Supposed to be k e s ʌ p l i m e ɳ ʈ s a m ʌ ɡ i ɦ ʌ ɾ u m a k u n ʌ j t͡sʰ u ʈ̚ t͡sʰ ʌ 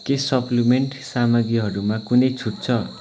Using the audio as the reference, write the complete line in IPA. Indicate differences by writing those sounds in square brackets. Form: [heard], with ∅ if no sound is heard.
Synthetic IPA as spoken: k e s ʌ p l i m e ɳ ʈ s a m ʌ ɡ i ɦ ʌ ɾ u m a k u n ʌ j t͡sʰ u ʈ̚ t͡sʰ ʌ

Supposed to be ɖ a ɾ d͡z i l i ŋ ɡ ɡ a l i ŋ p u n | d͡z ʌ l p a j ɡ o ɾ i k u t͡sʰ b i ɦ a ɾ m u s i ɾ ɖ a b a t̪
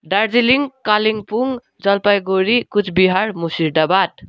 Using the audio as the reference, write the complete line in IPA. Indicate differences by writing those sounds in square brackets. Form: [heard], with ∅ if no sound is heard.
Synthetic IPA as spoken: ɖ a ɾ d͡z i l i ŋ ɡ [k] a l i ŋ p u [ŋ] | d͡z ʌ l p a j ɡ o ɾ i k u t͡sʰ b i ɦ a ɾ m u s i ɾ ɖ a b a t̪

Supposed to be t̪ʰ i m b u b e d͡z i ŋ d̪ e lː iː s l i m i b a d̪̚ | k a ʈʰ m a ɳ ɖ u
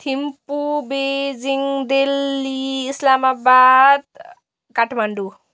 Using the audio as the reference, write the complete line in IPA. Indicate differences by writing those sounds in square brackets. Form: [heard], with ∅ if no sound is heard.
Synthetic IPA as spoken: t̪ʰ i m [p] u b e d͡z i ŋ d̪ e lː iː s l [a] m [a] b a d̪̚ | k a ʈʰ m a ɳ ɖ u

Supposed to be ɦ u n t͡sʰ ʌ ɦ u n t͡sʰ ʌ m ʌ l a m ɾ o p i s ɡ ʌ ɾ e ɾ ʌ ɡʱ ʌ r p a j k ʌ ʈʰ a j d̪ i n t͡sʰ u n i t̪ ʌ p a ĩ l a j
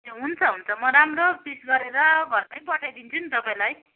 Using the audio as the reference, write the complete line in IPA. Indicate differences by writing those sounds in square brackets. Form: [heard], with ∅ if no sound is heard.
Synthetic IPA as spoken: ɦ u n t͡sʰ ʌ ɦ u n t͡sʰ ʌ m ʌ [ɾ] a m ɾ o p i s ɡ ʌ ɾ e ɾ ʌ ɡʱ ʌ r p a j [p] ʌ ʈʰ a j d̪ i n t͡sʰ u n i t̪ ʌ p a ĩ l a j

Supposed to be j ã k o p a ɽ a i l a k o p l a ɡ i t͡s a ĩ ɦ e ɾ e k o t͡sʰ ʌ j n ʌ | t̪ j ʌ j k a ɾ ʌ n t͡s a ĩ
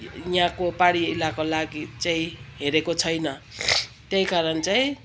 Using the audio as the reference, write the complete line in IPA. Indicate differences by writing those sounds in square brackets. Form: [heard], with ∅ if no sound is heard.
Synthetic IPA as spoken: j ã k o p a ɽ [i] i l a k o [∅] l a ɡ i t͡s a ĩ ɦ e ɾ e k o t͡sʰ ʌ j n ʌ | t̪ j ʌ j k a ɾ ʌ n t͡s a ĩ

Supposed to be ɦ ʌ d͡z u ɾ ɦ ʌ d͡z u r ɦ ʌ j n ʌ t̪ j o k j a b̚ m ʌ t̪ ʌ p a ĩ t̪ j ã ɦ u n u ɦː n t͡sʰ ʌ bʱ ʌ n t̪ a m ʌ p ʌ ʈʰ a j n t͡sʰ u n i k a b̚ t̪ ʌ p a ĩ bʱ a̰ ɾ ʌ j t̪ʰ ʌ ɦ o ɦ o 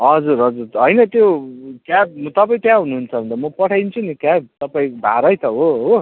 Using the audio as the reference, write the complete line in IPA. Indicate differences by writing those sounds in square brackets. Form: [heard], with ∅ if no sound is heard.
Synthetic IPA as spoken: ɦ ʌ d͡z u ɾ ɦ ʌ d͡z u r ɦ ʌ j n ʌ t̪ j o k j a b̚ m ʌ t̪ ʌ p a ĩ t̪ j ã ɦ u n u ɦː n t͡sʰ ʌ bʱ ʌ n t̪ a m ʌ p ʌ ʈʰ a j n t͡sʰ u n i k a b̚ t̪ ʌ p a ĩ bʱ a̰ ɾ ʌ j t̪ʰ ʌ ɦ o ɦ o

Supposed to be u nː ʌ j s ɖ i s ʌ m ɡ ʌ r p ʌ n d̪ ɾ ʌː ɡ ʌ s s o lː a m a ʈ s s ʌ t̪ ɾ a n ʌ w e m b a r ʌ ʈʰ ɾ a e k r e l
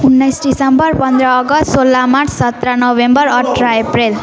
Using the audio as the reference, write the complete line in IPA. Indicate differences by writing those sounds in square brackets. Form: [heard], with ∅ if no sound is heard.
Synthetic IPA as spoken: u nː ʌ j s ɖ i s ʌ m [b] ʌ r p ʌ n d̪ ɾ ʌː ɡ ʌ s s o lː a m a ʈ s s ʌ t̪ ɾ a n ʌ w e m b [ʌ] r ʌ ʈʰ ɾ a e [p] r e l

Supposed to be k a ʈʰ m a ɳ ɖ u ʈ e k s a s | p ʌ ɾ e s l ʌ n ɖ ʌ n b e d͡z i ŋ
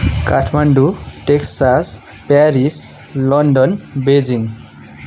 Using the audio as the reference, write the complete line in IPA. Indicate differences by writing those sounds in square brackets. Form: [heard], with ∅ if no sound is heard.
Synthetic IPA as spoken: k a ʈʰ m a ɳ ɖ u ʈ e k s a s | p [a] ɾ [i] s l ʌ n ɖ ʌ n b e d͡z i ŋ

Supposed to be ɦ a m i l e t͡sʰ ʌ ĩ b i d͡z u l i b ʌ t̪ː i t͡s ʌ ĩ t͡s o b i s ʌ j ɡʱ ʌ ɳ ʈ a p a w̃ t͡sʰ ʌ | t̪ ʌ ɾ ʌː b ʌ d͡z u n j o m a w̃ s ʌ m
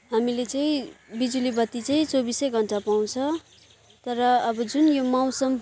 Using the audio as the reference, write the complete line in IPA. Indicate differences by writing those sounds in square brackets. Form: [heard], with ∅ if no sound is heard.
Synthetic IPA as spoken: ɦ a m i l e [t͡s] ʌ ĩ b i d͡z u l i b ʌ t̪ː i t͡s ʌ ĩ t͡s o b i s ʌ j ɡʱ ʌ ɳ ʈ a p a w̃ t͡sʰ ʌ | t̪ ʌ ɾ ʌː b ʌ d͡z u n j o m a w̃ s ʌ m

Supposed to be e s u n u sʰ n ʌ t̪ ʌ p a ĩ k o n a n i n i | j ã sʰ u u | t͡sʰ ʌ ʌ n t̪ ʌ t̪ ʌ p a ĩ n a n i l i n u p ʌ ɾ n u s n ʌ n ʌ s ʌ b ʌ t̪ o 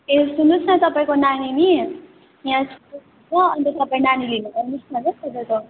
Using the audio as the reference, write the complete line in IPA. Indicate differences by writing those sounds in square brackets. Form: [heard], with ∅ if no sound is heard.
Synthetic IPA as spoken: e s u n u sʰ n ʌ t̪ ʌ p a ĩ k o n a n i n i | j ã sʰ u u | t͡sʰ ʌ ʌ n t̪ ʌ t̪ ʌ p a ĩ n a n i l i n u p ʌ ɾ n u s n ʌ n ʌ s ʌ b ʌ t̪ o

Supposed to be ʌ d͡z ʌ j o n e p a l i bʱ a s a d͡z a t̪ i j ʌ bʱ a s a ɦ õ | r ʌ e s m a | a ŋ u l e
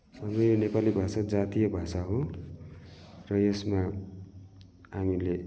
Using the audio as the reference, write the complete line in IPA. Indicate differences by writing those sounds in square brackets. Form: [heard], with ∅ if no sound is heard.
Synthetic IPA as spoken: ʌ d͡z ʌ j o n e p a l i bʱ a s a d͡z a t̪ i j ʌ bʱ a s a ɦ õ | r ʌ e s m a | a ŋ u l e

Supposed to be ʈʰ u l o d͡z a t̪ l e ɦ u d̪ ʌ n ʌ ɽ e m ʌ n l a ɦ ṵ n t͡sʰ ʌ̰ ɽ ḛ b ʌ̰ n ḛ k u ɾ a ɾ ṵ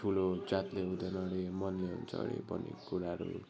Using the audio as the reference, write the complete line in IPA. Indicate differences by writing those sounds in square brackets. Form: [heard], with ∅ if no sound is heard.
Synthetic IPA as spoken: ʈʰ u l o d͡z a t̪ l e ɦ u d̪ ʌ n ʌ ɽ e m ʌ n l [e] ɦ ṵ n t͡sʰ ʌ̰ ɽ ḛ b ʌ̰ n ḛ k u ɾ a ɾ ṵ

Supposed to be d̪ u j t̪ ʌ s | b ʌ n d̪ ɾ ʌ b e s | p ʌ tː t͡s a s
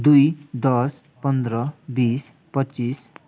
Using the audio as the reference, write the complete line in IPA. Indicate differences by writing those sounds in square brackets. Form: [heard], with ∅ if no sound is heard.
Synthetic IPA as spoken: d̪ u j [d̪] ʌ s | [p] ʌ n d̪ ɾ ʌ b [i] s | p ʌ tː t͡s [i] s

